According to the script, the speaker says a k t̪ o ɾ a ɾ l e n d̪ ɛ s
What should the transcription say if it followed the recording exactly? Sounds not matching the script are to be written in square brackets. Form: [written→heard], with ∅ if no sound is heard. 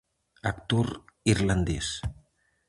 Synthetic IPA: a k t̪ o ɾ [a→i] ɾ l [e→a] n d̪ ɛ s

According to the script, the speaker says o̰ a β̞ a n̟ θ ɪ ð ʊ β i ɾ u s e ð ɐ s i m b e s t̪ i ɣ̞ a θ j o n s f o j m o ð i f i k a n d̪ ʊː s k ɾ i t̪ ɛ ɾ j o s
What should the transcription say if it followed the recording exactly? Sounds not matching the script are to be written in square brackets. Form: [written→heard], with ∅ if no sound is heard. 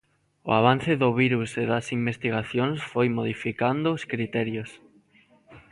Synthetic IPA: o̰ a β̞ a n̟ θ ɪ ð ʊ β i ɾ u s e ð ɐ s i m b e s t̪ i ɣ̞ a θ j o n s f o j m o ð i f i k a n d̪ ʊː s k ɾ i t̪ ɛ ɾ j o s

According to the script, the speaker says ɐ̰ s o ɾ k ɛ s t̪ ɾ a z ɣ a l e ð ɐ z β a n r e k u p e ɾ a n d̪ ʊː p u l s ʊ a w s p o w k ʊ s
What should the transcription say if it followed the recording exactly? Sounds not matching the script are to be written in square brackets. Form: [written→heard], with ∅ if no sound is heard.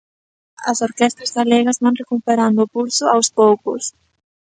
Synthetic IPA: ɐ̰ s o ɾ k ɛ s t̪ ɾ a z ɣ a l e [ð→ɣ] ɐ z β a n r e k u p e ɾ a n d̪ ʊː p u l s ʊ a w s p o w k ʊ s

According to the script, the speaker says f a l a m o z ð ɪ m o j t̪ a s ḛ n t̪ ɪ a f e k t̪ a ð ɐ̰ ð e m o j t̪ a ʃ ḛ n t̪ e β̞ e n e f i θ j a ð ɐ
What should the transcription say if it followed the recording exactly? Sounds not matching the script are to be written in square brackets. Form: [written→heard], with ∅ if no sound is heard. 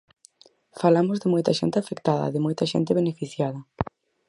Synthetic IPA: f a l a m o z ð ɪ m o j t̪ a [s→ʃ] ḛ n t̪ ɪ a f e k t̪ a ð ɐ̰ ð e m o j t̪ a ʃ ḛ n t̪ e β̞ e n e f i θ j a ð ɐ

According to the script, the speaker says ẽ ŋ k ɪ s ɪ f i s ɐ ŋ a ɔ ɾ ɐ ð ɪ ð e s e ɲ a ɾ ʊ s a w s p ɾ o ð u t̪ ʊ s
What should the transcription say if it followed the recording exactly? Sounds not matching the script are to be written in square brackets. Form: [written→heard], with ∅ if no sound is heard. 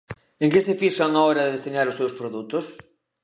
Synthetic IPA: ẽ ŋ k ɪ s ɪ f i [s→ʃ] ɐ ŋ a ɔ ɾ ɐ ð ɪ ð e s e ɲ a ɾ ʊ s [a→e] w s p ɾ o ð u t̪ ʊ s

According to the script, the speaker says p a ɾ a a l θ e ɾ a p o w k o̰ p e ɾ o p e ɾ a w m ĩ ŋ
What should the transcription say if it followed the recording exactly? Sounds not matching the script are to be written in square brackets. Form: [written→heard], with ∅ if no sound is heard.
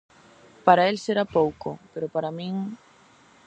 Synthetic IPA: p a ɾ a [a→e] l [θ→s] e ɾ a p o w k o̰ p e ɾ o p [e→a] ɾ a [w→∅] m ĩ ŋ

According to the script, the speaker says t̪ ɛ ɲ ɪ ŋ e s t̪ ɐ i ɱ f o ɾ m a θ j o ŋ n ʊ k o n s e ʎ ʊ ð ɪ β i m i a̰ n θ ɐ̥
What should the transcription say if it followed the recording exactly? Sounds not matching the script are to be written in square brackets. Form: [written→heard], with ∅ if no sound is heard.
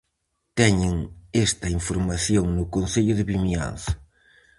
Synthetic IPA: t̪ ɛ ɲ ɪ ŋ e s t̪ ɐ i ɱ f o ɾ m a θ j o ŋ n ʊ k o n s e ʎ ʊ ð ɪ β i m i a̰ n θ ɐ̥

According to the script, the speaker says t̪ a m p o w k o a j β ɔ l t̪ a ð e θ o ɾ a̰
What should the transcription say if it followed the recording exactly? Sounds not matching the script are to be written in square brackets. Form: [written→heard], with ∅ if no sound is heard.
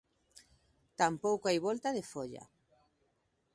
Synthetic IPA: t̪ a m p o w k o a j β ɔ l t̪ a ð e [θ→f] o [ɾ→ʎ] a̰

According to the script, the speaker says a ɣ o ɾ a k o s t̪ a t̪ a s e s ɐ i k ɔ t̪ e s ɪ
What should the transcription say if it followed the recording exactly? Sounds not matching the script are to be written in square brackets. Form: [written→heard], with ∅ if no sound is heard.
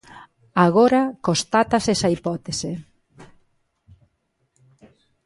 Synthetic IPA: a ɣ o ɾ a k o s t̪ a t̪ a s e s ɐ i [k→p] ɔ t̪ e s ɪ

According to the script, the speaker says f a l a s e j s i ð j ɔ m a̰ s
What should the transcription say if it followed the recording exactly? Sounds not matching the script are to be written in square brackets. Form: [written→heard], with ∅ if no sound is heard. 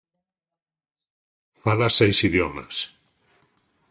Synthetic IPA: f a l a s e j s i ð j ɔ m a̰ s

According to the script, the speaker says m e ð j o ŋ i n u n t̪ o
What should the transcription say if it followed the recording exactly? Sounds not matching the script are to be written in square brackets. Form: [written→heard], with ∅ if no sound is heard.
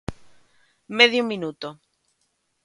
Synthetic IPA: m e ð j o [ŋ→m] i n u [n→∅] t̪ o

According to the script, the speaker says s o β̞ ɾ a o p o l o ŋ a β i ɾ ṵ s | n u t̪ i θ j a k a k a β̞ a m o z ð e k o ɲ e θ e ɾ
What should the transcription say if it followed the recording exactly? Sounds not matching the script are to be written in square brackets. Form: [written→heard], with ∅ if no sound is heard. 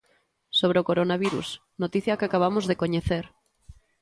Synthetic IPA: s o β̞ ɾ [a→e] o [p→k] o [l→ɾ] o [ŋ→n] a β i ɾ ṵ s | n [u→o] t̪ i θ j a k a k a β̞ a m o z ð e k o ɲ e θ e ɾ

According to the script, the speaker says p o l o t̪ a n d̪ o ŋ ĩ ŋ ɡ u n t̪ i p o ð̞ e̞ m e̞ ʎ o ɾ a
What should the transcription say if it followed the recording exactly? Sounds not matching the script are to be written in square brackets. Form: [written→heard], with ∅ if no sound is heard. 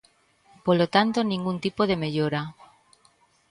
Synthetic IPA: p o l o t̪ a n [d̪→t̪] o [ŋ→n] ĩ ŋ ɡ u n t̪ i p o ð̞ e̞ m e̞ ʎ o ɾ a

